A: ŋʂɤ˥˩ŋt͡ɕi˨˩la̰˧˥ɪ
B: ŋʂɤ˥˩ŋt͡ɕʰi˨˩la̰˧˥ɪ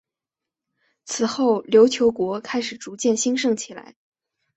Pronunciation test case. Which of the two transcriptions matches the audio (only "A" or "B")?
B